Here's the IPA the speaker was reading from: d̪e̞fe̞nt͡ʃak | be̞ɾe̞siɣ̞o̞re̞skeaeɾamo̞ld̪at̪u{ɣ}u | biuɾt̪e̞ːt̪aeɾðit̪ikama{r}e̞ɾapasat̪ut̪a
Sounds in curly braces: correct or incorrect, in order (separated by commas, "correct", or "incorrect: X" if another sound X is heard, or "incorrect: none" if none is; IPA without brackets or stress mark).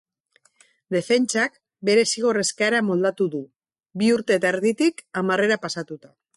incorrect: ð, correct